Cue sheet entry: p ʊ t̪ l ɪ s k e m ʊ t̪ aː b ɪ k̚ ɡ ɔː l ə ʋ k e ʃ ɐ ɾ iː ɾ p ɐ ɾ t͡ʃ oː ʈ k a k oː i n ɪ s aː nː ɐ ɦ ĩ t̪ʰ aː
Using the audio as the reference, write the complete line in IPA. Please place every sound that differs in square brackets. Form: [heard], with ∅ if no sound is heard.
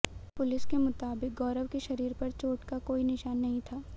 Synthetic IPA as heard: p ʊ [∅] l ɪ s k e m ʊ t̪ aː b ɪ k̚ ɡ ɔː [ɾ] ə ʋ k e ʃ ɐ ɾ iː ɾ p ɐ ɾ t͡ʃ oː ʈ k a k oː i n ɪ [ʃ] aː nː ɐ ɦ ĩ t̪ʰ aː